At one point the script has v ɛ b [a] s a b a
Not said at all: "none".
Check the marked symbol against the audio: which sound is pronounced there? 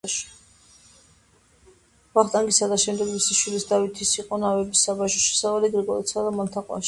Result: i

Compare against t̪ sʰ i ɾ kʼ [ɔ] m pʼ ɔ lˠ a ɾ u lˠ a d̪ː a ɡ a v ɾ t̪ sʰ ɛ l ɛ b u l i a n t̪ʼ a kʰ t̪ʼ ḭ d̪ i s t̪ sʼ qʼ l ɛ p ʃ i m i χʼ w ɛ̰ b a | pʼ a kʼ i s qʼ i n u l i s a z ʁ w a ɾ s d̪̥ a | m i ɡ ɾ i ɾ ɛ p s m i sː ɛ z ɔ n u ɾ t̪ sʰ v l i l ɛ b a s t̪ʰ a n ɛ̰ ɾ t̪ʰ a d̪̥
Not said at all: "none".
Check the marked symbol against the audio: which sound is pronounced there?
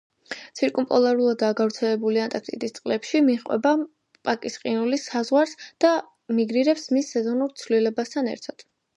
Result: u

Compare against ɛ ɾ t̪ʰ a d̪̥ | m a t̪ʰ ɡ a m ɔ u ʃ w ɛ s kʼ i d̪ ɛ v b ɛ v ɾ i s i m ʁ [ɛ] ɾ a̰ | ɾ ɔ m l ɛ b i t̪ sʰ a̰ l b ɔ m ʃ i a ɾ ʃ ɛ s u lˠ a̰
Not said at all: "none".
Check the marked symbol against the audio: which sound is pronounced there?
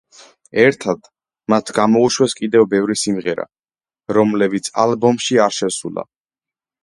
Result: ɛ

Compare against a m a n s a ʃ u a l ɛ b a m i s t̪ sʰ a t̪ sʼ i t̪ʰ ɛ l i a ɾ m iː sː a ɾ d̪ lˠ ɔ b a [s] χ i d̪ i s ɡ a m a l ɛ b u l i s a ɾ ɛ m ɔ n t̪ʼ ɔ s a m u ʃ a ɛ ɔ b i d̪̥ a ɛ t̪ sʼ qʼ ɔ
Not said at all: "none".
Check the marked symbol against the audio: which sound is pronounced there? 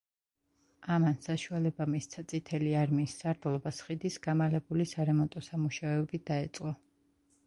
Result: s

